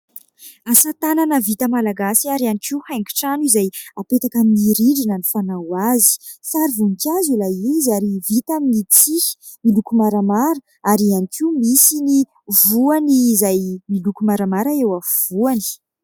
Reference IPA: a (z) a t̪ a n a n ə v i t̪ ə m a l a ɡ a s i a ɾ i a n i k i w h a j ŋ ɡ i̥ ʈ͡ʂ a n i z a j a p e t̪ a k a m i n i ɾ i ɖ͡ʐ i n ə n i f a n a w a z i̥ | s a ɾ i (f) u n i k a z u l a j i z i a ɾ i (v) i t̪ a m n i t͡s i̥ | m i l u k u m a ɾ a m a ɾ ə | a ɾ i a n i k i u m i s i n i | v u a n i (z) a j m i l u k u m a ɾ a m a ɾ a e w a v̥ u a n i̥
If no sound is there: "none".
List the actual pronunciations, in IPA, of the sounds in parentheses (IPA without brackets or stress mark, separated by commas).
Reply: s, v, v, z